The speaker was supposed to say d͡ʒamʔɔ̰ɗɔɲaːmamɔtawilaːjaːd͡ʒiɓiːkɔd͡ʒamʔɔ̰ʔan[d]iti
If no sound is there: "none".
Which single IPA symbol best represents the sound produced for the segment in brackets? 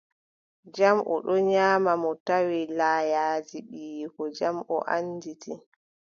d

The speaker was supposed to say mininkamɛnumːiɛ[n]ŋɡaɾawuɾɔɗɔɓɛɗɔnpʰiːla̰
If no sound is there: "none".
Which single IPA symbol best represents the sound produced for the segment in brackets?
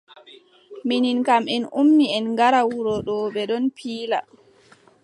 n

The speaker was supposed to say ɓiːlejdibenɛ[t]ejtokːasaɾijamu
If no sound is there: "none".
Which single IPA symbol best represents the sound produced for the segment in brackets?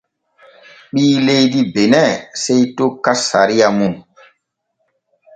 s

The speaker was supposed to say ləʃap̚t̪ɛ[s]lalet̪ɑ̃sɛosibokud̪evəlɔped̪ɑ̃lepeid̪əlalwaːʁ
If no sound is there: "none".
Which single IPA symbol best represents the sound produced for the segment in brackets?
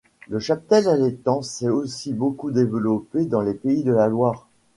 none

